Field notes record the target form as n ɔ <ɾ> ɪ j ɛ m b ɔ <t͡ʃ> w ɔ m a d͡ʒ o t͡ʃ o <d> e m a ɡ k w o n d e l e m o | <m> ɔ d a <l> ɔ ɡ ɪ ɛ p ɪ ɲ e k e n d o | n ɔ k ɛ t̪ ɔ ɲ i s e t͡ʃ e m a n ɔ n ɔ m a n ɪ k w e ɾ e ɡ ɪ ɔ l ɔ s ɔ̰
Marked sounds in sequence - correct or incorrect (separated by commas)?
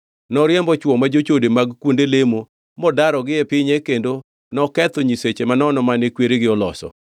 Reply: correct, correct, correct, correct, incorrect